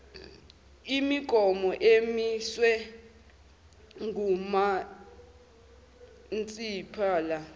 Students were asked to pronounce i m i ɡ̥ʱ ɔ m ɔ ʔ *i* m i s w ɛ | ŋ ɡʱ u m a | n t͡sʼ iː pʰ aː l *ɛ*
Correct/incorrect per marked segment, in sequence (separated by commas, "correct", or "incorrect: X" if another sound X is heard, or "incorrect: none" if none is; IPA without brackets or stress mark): incorrect: e, incorrect: a